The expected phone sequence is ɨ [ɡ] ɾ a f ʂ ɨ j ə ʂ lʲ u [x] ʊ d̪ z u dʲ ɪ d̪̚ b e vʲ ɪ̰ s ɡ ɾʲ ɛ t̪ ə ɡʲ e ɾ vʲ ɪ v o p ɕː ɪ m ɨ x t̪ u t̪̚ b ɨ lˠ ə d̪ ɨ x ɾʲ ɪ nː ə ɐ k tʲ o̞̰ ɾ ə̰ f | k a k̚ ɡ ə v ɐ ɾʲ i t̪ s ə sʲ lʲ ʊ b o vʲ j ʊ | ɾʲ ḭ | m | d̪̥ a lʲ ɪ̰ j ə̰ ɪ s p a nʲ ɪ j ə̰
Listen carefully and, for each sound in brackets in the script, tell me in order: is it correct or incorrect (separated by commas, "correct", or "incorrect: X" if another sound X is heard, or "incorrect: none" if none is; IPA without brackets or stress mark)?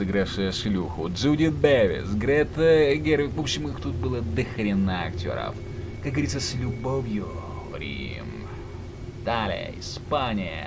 correct, correct